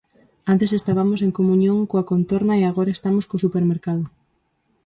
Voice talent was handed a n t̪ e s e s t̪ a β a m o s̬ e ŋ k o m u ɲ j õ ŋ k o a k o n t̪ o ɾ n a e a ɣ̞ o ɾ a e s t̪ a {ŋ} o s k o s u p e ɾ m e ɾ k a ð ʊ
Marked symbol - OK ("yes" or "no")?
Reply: no